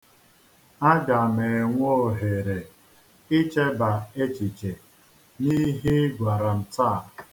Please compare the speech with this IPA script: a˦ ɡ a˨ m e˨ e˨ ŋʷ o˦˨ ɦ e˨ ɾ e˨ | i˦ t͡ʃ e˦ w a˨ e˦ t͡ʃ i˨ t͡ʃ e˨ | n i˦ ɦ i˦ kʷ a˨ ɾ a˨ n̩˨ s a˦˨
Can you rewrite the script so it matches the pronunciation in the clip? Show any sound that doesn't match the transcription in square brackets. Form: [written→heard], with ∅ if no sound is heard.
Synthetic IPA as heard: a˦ ɡ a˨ m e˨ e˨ ŋʷ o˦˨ ɦ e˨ ɾ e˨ | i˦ t͡ʃ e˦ [w→b] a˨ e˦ t͡ʃ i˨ t͡ʃ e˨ | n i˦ ɦ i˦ [kʷ→ɡʷ] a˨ ɾ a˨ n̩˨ [s→t] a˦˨